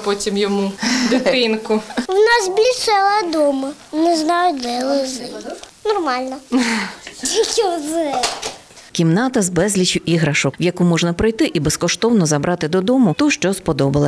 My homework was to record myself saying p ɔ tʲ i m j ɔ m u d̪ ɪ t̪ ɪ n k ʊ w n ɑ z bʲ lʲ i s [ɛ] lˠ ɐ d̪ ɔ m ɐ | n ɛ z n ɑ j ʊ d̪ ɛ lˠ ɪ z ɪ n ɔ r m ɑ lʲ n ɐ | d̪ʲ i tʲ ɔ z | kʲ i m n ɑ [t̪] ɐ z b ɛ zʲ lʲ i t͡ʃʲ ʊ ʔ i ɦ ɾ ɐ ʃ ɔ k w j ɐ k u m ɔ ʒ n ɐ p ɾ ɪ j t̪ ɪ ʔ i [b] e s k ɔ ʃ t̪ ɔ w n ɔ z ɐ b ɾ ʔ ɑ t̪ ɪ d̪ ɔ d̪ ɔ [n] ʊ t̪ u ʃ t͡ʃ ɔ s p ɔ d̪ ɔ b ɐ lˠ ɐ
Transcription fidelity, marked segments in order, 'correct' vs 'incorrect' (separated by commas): correct, correct, correct, incorrect